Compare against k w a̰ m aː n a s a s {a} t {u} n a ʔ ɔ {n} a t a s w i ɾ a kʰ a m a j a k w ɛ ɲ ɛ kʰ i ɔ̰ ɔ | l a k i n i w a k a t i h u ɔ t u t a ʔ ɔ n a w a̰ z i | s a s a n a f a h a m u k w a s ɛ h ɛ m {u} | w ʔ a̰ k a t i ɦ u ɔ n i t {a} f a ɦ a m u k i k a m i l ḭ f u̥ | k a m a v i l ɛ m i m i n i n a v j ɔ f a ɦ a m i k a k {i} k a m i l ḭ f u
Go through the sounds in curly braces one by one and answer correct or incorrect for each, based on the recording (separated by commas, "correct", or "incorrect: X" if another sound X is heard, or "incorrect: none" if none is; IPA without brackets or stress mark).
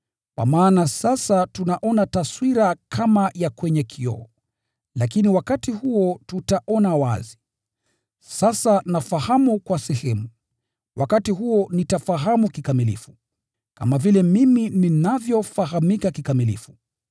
correct, correct, correct, correct, correct, correct